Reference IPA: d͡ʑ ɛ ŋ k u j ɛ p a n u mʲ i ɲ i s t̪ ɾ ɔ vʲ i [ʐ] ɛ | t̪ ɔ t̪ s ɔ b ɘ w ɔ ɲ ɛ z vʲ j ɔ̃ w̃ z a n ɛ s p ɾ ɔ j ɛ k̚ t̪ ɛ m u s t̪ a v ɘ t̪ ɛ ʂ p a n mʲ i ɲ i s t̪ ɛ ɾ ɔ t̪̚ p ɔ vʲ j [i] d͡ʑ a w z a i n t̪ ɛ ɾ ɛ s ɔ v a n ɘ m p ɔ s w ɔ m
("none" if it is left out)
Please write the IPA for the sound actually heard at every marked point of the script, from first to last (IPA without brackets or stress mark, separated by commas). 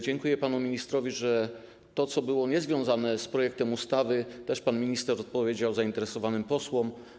ʐ, e